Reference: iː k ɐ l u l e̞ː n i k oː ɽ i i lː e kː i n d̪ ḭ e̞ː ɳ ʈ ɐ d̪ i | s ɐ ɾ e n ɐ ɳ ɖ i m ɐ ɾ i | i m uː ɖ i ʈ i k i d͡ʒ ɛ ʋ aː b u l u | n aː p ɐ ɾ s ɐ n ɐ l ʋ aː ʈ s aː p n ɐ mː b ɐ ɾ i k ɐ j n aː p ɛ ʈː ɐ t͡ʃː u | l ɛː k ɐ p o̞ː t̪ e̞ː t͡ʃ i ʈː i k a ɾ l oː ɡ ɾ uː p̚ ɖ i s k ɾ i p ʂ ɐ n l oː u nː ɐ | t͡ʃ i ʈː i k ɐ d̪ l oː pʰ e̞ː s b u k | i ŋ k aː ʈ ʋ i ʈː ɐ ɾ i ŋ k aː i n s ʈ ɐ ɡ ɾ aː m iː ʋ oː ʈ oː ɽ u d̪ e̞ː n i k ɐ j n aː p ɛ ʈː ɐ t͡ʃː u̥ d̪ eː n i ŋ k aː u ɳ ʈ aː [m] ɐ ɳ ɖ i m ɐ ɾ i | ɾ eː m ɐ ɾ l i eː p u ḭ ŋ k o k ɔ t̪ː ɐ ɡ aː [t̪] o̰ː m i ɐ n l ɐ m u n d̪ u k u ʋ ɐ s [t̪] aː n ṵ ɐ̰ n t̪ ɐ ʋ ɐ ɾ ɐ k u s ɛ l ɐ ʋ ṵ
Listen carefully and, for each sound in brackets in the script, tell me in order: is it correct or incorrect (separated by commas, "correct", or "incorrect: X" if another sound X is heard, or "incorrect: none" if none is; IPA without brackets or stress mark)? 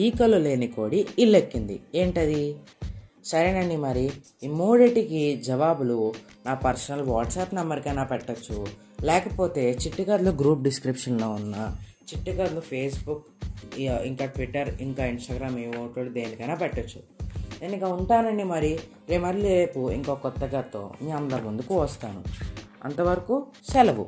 incorrect: n, correct, correct